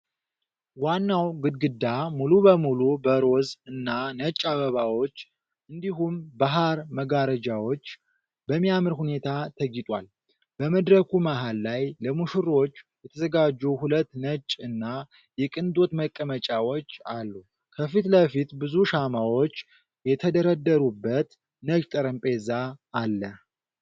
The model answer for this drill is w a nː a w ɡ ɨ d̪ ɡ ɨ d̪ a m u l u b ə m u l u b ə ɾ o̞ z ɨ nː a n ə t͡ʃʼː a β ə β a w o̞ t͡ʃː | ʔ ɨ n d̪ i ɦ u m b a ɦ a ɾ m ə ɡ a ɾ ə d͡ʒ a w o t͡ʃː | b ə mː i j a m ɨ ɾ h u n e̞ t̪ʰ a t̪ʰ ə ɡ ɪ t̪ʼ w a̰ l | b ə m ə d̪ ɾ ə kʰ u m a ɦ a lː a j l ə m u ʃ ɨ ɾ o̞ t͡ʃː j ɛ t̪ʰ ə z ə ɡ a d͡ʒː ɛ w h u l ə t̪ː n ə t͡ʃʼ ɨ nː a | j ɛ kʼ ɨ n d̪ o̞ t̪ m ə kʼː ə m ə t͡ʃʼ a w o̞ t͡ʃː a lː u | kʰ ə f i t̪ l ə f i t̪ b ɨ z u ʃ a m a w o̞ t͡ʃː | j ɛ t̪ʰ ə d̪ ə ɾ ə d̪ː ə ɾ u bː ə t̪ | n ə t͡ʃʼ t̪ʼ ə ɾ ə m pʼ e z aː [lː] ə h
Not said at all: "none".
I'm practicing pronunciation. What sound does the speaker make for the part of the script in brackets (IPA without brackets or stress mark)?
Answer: lː